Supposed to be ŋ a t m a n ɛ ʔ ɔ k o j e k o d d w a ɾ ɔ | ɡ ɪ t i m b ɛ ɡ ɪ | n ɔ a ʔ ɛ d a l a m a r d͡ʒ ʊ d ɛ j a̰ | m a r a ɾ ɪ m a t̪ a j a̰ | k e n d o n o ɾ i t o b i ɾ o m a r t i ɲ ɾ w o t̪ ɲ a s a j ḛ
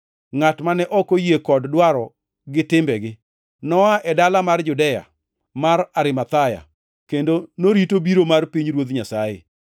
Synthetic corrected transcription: ŋ a t m a n ɛ ʔ ɔ k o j e k ɔ d d w a ɾ ɔ | ɡ ɪ t ɪ m b ɛ ɡ ɪ | n ɔ a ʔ ɛ d a l a m a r d͡ʒ ʊ d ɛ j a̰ | m a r a ɾ ɪ m a t̪ a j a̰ | k e n d o n o ɾ i t o b i ɾ o m a r p i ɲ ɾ w o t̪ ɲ a s a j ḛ

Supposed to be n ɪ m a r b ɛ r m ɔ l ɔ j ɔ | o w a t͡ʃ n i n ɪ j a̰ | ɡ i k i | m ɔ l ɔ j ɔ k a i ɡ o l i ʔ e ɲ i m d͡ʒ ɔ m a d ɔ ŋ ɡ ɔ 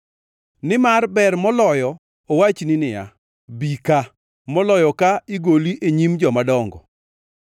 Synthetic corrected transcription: n ɪ m a r b ɛ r m ɔ l ɔ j ɔ | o w a t͡ʃ n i n ɪ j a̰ | b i k a | m ɔ l ɔ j ɔ k a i ɡ o l i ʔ e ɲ i m d͡ʒ ɔ m a d ɔ ŋ ɡ ɔ

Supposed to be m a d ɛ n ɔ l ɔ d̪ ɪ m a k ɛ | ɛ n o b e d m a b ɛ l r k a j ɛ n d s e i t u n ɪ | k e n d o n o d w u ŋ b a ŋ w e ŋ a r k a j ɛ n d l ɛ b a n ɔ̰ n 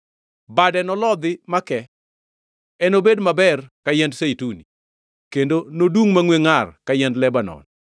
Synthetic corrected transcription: b a d ɛ n ɔ l ɔ d̪ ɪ m a k ɛ | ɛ n o b e d m a b ɛ r k a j ɛ n d s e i t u n i | k e n d o n o d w u ŋ m a ŋ w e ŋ a r k a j ɛ n d l ɛ b a n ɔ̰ n

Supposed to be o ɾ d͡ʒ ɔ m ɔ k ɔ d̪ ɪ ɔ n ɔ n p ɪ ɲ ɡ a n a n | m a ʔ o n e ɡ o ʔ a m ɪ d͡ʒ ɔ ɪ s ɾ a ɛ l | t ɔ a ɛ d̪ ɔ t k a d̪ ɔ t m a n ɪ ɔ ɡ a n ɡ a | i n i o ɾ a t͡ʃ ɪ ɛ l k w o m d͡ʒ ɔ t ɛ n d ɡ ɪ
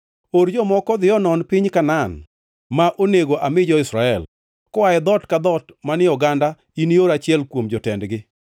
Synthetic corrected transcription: o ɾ d͡ʒ ɔ m ɔ k ɔ d̪ ɪ ɔ n ɔ n p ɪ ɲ k a n a n | m a ʔ o n e ɡ o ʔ a m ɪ d͡ʒ ɔ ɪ s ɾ a ɛ l | k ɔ a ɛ d̪ ɔ t k a d̪ ɔ t m a n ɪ ɔ ɡ a n d a | i n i o ɾ a t͡ʃ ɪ ɛ l k w o m d͡ʒ ɔ t ɛ n d ɡ ɪ

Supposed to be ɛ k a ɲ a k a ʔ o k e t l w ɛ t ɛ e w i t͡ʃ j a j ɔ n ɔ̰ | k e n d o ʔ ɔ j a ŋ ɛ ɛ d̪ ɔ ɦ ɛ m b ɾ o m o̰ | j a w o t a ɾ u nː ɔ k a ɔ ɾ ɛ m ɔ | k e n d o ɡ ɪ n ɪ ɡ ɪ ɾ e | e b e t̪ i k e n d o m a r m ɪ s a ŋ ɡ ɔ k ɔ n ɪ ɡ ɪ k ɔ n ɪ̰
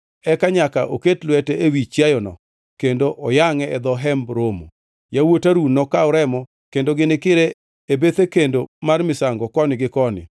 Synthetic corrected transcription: ɛ k a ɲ a k a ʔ o k e t l w ɛ t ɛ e w i t͡ʃ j a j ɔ n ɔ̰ | k e n d o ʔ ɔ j a ŋ ɛ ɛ d̪ ɔ ɦ ɛ m b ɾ o m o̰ | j a w o t a ɾ u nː ɔ k a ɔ ɾ ɛ m ɔ | k e n d o ɡ ɪ n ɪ k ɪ ɾ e | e b e t̪ e k e n d o m a r m ɪ s a ŋ ɡ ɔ k ɔ n ɪ ɡ ɪ k ɔ n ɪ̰

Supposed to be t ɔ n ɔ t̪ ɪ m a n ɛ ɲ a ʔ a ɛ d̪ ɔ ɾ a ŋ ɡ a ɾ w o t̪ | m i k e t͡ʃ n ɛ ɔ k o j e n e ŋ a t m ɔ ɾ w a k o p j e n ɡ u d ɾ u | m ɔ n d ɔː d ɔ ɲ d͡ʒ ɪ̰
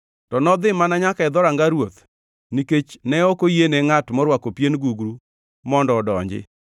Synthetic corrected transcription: t ɔ n ɔ d̪ ɪ m a n a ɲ a k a ɛ d̪ ɔ ɾ a ŋ ɡ a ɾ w o t̪ | n i k e t͡ʃ n ɛ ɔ k o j e n e ŋ a t m ɔ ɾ w a k o p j e n ɡ u ɡ ɾ u | m ɔ n d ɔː d ɔ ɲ d͡ʒ ɪ̰

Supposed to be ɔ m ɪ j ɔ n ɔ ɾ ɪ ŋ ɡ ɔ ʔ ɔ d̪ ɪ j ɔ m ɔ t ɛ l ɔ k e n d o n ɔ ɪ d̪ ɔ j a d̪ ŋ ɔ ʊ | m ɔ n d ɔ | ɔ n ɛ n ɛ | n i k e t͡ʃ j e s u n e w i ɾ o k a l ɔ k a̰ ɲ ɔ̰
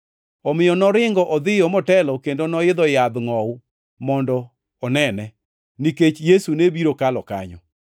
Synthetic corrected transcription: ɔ m ɪ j ɔ n ɔ ɾ ɪ ŋ ɡ ɔ ʔ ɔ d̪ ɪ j ɔ m ɔ t ɛ l ɔ k e n d o n ɔ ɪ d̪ ɔ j a d̪ ŋ ɔ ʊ | m ɔ n d ɔ | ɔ n ɛ n ɛ | n i k e t͡ʃ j e s u n e b i ɾ o k a l ɔ k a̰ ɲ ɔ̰

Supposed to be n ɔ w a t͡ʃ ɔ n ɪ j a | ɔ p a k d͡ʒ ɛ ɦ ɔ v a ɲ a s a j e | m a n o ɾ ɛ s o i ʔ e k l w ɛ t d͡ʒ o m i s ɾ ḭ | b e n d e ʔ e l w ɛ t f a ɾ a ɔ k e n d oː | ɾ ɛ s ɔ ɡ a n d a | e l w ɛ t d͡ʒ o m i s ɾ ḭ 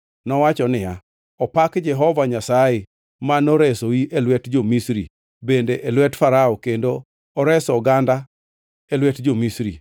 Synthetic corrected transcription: n ɔ w a t͡ʃ ɔ n ɪ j a | ɔ p a k d͡ʒ ɛ ɦ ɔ v a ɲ a s a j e | m a n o ɾ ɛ s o i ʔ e l w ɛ t d͡ʒ o m i s ɾ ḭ | b e n d e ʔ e l w ɛ t f a ɾ a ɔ k e n d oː | ɾ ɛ s ɔ ɡ a n d a | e l w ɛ t d͡ʒ o m i s ɾ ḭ

